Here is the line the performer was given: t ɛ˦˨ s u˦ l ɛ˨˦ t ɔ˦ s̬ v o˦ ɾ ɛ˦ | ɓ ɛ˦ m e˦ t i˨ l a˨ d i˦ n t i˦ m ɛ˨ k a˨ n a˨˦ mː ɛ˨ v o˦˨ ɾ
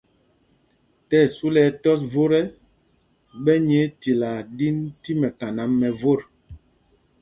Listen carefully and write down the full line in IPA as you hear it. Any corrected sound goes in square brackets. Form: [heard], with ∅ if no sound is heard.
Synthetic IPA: t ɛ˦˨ s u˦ l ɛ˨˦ t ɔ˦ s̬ v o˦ ɾ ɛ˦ | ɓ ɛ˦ [ɲ] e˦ t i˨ l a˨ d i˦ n t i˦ m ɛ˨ k a˨ n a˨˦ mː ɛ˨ v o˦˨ ɾ

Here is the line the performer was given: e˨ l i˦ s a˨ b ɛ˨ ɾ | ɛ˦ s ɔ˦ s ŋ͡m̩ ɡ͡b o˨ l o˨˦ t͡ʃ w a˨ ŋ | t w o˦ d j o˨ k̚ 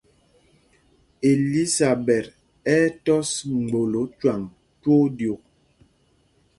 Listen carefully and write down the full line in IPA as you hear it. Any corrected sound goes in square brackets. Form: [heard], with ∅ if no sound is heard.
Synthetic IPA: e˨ l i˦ s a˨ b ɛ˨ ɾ | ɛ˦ [t] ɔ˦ s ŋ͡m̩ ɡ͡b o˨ l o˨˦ t͡ʃ w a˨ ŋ | t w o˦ d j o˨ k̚

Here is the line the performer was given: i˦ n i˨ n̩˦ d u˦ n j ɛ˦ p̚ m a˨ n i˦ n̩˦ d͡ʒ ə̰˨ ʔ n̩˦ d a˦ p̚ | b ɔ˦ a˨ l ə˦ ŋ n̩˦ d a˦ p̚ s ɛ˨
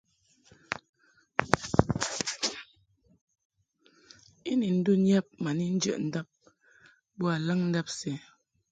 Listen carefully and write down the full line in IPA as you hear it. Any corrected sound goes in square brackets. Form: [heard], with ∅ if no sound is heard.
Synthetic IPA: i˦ n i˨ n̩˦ d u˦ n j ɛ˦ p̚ m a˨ n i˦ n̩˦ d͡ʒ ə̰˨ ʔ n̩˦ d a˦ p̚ | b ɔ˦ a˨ l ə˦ ŋ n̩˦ d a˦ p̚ s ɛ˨

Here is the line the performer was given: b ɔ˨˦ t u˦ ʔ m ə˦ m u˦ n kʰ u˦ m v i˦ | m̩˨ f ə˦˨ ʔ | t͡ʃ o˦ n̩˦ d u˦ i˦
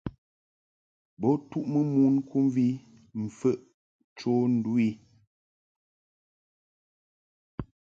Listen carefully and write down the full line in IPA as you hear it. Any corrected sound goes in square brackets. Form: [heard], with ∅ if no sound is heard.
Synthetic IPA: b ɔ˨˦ t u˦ ʔ m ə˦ m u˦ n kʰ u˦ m v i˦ | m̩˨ f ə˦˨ ʔ | t͡ʃ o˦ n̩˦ d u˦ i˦

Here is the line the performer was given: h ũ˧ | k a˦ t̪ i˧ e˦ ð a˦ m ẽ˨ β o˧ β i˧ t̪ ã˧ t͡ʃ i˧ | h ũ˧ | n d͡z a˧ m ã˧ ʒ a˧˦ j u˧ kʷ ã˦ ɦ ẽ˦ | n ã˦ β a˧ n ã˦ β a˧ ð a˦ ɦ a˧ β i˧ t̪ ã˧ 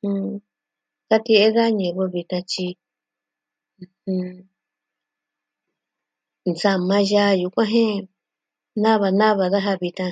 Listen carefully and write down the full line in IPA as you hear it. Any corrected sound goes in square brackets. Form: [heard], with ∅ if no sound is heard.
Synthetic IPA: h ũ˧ | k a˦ t̪ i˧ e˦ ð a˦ [ɲ] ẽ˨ β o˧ β i˧ t̪ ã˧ t͡ʃ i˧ | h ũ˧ | n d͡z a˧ m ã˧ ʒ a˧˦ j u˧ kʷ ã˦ ɦ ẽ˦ | n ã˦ β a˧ n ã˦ β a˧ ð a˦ ɦ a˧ β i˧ t̪ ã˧

